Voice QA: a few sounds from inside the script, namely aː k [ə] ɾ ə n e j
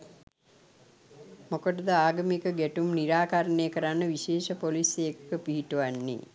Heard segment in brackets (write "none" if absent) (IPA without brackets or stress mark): a